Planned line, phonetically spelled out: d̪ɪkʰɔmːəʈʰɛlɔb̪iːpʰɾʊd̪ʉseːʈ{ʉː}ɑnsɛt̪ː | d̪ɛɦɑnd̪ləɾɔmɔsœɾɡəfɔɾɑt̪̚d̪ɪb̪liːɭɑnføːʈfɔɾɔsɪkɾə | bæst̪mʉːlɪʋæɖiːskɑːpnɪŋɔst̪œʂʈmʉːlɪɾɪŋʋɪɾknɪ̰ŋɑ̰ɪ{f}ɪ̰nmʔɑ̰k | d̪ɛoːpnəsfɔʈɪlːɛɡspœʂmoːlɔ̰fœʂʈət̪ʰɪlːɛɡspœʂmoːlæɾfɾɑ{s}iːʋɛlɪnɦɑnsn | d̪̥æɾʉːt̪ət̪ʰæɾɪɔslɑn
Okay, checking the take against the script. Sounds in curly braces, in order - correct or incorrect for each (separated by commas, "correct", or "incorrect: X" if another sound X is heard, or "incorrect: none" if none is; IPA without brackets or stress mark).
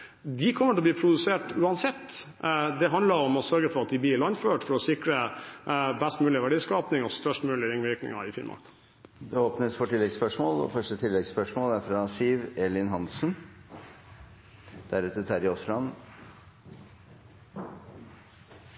correct, correct, correct